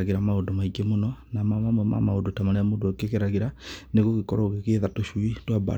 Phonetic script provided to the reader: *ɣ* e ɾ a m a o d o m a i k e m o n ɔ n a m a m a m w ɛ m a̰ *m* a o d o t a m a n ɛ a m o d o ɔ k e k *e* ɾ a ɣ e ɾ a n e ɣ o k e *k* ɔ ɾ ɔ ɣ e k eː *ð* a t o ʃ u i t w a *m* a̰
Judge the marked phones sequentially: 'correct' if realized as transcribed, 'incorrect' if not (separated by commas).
correct, correct, correct, correct, correct, incorrect